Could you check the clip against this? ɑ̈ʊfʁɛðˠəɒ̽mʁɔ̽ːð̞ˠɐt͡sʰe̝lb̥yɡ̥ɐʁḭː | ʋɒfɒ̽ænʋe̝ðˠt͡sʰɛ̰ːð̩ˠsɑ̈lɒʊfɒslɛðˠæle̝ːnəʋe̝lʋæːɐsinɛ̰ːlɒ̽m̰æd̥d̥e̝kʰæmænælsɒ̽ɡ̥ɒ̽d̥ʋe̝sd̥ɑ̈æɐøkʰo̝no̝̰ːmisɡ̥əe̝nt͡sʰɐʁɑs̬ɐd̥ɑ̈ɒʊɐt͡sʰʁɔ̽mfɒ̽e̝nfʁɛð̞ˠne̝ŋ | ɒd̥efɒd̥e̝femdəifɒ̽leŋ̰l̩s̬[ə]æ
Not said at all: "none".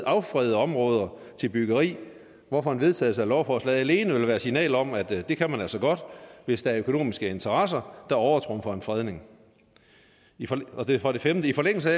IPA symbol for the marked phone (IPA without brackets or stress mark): ə